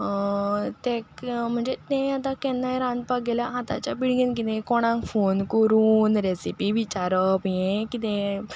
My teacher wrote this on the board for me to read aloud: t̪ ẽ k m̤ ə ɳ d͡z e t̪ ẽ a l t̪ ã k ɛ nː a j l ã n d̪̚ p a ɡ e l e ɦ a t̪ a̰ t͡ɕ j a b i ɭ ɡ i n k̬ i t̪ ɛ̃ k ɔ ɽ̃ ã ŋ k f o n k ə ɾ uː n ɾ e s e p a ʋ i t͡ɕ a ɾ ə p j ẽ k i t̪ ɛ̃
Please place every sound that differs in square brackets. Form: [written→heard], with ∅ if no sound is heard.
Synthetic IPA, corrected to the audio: t̪ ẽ k m̤ ə ɳ d͡z e t̪ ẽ a [l→∅] t̪ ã k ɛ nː a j [l→ɾ] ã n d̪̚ p a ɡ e l [e→a] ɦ a t̪ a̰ t͡ɕ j a b i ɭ ɡ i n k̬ i t̪ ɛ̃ k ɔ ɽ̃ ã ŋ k f o n k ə ɾ uː n ɾ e s [e→i] p [a→i] ʋ i t͡ɕ a ɾ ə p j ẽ k i t̪ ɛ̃

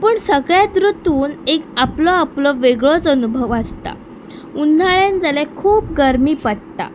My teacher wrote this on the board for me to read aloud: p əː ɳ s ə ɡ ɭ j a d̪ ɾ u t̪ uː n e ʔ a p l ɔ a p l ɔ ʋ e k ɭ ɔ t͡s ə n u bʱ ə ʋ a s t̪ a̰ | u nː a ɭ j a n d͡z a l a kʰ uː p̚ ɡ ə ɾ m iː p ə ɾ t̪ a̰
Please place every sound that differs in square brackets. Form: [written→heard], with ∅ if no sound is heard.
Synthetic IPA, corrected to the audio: p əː ɳ s ə ɡ ɭ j a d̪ ɾ u t̪ uː n e [ʔ→k] a p l ɔ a p l ɔ ʋ e [k→ɡ] ɭ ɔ t͡s ə n u bʱ ə ʋ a s t̪ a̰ | u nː a ɭ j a n d͡z a l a kʰ uː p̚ ɡ ə ɾ m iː p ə [ɾ→ɽ] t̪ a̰

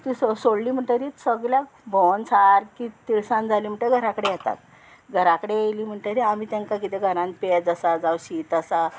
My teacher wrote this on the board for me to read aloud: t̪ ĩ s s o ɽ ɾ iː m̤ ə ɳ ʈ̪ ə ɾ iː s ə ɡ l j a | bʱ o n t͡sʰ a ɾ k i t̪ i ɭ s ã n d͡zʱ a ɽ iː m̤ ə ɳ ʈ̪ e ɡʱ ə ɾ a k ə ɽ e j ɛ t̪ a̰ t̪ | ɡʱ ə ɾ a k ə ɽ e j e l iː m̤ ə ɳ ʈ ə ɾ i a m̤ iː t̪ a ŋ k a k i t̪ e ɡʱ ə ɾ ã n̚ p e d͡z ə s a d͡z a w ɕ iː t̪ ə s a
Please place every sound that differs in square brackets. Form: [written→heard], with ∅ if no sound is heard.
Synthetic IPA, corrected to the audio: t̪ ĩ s s o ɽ [ɾ→l] iː m̤ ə ɳ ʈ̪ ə ɾ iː s ə ɡ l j a | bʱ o n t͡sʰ a ɾ k i t̪ i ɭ s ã n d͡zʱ a [ɽ→l] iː m̤ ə ɳ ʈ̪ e ɡʱ ə ɾ a k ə ɽ e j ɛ t̪ a̰ t̪ | ɡʱ ə ɾ a k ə ɽ e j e l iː m̤ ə ɳ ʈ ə ɾ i a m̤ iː t̪ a ŋ k a k i t̪ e ɡʱ ə ɾ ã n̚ p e d͡z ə s a d͡z a w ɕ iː t̪ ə s a

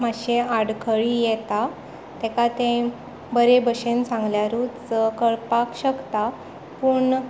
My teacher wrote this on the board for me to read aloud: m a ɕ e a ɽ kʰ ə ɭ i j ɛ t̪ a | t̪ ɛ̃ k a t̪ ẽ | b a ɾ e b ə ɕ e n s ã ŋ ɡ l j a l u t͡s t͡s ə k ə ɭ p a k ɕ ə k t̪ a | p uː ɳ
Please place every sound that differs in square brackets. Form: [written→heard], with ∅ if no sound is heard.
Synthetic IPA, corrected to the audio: m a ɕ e a ɽ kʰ ə ɭ i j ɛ t̪ a | t̪ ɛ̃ k a t̪ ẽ | b [a→ə] ɾ e b ə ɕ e n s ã ŋ ɡ l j a [l→ɾ] u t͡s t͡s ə k ə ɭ p a k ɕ ə k t̪ a | p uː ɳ

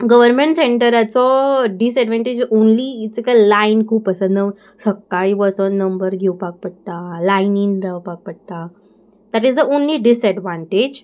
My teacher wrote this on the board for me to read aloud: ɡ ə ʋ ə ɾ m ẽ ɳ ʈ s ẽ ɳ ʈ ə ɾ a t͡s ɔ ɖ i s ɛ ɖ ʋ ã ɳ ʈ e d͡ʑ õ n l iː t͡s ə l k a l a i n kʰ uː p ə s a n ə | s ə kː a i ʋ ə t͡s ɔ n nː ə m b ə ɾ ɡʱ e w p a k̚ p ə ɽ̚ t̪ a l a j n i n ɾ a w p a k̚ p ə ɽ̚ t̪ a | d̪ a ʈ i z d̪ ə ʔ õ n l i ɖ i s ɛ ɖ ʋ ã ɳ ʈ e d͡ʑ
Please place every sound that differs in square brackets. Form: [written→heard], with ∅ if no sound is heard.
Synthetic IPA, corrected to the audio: ɡ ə ʋ ə ɾ m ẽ ɳ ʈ s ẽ ɳ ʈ ə ɾ a t͡s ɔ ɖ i s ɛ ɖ ʋ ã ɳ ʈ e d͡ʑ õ n l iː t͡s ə [l→∅] k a l a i n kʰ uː p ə s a n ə | s ə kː a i ʋ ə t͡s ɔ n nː ə m b ə ɾ ɡʱ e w p a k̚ p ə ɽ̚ t̪ a l a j n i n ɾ a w p a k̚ p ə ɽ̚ t̪ a | d̪ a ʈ i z d̪ ə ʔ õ n l i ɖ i s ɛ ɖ ʋ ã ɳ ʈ e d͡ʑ

